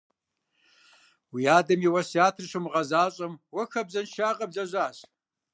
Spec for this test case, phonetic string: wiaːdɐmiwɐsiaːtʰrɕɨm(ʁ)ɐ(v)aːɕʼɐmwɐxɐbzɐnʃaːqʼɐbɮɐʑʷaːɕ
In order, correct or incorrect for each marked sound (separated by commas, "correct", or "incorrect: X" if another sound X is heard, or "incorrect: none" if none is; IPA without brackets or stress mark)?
correct, incorrect: z